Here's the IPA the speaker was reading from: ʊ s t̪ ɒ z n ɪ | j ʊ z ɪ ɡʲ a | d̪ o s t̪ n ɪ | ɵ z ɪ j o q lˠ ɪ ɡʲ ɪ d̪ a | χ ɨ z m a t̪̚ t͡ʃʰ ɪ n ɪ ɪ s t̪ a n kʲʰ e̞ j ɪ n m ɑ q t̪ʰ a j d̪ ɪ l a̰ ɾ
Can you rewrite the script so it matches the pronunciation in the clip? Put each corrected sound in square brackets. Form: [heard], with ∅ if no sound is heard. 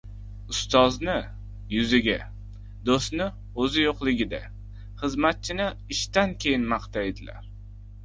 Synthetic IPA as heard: ʊ s t̪ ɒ z n ɪ | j ʊ z ɪ ɡʲ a | d̪ o s t̪ n ɪ | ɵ z ɪ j o q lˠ ɪ ɡʲ ɪ d̪ a | χ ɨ z m a t̪̚ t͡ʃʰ ɪ n ɪ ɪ [ʃ] t̪ a n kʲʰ e̞ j ɪ n m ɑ q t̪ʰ a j d̪ ɪ l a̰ ɾ